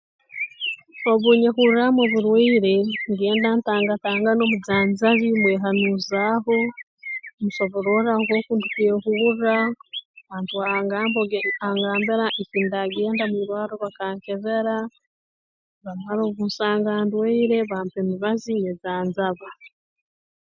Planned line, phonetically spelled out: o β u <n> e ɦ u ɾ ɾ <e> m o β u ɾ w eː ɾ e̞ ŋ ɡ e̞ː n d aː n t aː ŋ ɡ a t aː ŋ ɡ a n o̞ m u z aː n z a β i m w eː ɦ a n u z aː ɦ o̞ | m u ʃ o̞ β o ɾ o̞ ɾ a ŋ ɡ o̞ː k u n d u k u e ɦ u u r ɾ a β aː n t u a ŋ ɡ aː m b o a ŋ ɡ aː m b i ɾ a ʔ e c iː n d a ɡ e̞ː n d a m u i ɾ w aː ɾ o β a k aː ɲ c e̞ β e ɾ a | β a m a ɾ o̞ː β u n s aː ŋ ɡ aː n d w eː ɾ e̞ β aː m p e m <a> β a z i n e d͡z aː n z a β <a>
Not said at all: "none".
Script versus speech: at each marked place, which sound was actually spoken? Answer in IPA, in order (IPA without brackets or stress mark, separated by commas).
ɲ, a, i, a